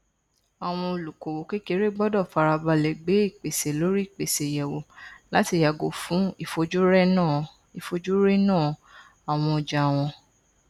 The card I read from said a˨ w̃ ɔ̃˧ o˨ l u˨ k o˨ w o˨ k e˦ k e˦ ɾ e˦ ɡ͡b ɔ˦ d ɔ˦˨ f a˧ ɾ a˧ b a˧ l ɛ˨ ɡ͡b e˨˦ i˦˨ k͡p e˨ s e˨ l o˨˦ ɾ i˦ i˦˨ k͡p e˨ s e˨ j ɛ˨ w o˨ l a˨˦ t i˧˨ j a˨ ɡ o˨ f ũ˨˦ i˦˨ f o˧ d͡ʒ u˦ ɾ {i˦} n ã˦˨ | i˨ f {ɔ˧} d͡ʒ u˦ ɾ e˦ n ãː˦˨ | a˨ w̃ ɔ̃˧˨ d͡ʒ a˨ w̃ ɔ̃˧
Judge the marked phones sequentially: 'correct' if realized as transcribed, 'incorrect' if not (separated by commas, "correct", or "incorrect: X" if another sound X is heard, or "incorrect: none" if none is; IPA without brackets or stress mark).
incorrect: ɛ˦, incorrect: o˧